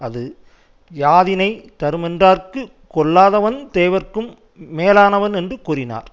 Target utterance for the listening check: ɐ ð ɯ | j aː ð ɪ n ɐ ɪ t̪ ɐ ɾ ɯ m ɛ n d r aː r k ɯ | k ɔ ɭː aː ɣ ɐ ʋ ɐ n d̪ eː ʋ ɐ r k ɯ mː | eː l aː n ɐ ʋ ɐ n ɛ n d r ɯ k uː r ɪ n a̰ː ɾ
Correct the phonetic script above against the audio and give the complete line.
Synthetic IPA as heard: ɐ ð ɯ | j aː ð ɪ n ɐ ɪ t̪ ɐ ɾ ɯ m ɛ n d r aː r k ɯ | k ɔ ɭː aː ð ɐ ʋ ɐ n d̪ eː ʋ ɐ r k ɯ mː | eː l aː n ɐ ʋ ɐ n ɛ n d r ɯ k uː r ɪ n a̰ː ɾ

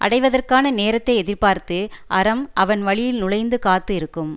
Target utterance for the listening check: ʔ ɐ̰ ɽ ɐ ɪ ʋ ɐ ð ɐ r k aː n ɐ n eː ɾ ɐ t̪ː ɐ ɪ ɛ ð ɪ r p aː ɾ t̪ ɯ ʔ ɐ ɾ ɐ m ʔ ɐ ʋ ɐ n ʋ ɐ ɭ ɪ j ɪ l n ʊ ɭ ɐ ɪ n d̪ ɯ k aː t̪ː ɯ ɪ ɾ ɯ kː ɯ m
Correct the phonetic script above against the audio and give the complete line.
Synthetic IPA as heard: ʔ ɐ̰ ɽ ɐ ɪ ʋ ɐ ð ɐ r k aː n ɐ n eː ɾ ɐ t̪ː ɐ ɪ ɛ ð ɪ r p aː ɾ t̪ ɯ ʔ ɐ ɾ ɐ m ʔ ɐ ʋ ɐ n ʋ ɐ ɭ ɪ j ɪ l n ʊ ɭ ɐ ɪ n d̪ ɯ k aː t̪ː ɯ ɪ ɾ ɯ kː ɯ m

